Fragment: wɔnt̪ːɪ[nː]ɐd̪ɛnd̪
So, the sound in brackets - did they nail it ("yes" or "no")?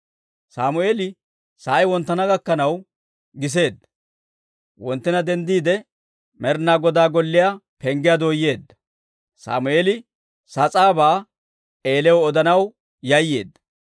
no